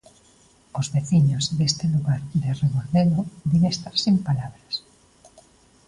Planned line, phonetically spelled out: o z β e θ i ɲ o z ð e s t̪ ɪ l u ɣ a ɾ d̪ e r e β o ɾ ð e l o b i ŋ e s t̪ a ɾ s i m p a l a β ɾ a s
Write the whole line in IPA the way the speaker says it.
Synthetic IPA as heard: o z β e θ i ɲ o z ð e s t̪ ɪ l u ɣ a ɾ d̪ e r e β o ɾ ð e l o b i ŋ e s t̪ a ɾ s i m p a l a β ɾ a s